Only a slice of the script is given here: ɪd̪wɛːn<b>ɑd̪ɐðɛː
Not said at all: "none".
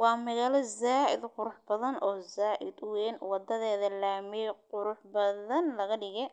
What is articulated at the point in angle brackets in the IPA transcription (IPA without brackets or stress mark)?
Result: w